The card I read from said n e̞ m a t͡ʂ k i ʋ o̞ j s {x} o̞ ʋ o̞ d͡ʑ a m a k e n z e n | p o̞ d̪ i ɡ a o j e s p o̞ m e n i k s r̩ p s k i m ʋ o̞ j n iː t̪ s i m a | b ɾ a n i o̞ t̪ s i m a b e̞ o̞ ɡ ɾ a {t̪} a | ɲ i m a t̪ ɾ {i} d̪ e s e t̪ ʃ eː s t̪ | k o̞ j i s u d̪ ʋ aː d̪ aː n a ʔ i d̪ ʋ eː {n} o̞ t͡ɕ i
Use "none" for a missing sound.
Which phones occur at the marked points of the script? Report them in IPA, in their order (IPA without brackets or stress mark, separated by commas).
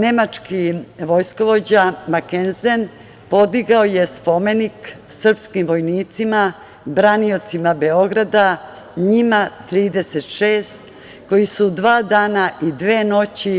k, d̪, iː, n